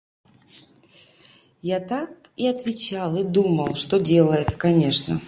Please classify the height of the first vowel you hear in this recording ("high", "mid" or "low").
low